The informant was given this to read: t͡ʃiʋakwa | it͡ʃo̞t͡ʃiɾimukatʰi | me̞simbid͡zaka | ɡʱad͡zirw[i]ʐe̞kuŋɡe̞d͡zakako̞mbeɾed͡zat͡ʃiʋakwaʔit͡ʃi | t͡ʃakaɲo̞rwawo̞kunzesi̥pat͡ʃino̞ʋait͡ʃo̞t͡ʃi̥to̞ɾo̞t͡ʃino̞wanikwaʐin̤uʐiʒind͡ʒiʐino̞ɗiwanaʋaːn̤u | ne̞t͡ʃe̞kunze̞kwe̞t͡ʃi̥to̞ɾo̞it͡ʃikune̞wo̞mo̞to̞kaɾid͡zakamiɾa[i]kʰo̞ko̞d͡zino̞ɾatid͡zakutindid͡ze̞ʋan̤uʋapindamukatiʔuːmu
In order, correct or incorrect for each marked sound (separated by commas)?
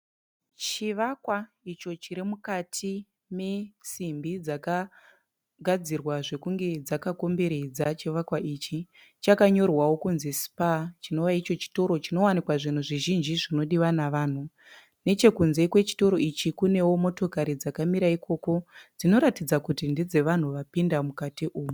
incorrect, correct